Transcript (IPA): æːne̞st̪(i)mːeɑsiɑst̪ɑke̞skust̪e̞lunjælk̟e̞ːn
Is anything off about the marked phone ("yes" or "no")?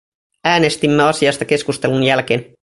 no